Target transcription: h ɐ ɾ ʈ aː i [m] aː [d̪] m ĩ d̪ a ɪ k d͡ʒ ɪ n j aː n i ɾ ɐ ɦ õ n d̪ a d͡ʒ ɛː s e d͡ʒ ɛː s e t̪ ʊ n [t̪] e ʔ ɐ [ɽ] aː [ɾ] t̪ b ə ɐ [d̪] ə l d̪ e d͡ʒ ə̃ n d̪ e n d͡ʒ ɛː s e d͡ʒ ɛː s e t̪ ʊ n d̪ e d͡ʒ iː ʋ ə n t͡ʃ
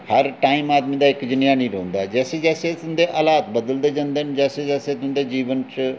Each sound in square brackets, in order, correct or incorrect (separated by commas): correct, correct, incorrect, incorrect, incorrect, correct